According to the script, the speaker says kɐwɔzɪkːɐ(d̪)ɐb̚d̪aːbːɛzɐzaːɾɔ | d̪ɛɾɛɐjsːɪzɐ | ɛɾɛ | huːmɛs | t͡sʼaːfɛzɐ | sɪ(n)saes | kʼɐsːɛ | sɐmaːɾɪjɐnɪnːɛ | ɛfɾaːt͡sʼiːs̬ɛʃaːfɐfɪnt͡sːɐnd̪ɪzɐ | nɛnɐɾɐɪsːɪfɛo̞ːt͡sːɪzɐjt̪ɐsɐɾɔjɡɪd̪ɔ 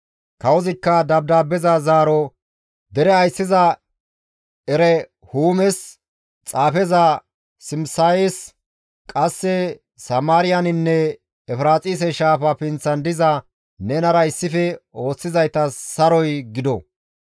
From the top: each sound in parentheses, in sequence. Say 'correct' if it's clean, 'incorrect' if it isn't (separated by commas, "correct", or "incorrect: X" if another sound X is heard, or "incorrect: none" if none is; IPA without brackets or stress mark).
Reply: correct, incorrect: m